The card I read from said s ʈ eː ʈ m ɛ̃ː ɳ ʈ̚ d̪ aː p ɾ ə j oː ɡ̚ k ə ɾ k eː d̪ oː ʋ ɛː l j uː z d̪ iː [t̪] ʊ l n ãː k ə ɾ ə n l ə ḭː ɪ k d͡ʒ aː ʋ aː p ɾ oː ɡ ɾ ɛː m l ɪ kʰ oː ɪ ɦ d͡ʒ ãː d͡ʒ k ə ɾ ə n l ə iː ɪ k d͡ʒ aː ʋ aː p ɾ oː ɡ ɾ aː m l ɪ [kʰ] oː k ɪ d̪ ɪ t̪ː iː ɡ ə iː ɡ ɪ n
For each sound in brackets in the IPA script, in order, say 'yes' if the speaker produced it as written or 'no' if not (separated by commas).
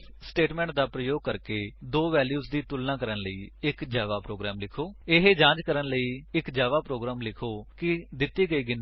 yes, yes